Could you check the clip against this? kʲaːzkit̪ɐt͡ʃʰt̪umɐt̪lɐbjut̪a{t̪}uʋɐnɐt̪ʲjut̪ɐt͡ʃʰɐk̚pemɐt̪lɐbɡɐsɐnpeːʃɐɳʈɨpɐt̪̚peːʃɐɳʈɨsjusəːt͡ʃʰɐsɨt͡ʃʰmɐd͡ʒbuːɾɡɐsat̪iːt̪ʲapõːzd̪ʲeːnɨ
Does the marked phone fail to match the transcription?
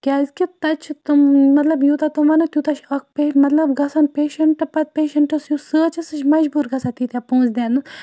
no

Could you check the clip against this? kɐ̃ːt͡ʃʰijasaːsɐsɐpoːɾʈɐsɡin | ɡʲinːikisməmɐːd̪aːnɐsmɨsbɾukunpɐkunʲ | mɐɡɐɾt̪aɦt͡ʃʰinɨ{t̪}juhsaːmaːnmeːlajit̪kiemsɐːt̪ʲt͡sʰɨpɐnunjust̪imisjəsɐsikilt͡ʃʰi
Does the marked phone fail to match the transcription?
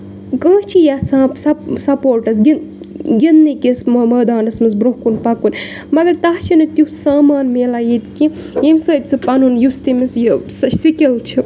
no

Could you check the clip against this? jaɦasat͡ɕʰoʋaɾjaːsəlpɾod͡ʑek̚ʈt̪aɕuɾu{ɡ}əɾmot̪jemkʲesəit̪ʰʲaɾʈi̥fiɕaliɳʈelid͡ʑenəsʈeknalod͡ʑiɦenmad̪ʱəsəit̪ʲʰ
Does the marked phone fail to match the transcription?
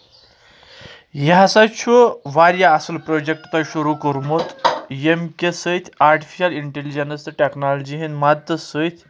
yes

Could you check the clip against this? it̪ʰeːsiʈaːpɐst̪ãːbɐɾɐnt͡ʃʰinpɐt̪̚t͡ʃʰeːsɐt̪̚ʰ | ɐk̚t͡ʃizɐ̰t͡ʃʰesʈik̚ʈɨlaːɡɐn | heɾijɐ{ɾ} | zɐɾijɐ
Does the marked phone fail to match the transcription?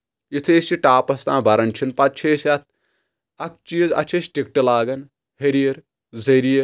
no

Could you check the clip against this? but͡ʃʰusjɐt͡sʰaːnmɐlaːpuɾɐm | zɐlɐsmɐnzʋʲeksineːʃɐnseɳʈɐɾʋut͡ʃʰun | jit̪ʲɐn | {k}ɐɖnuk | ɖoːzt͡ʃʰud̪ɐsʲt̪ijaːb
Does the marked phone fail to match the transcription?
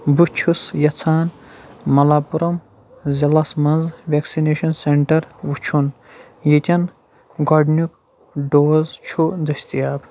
yes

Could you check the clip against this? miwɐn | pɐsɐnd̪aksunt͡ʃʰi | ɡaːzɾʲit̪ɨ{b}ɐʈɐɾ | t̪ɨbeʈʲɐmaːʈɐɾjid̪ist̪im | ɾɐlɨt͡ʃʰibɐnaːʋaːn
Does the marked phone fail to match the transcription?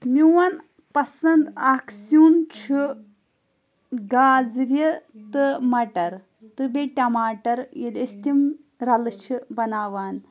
yes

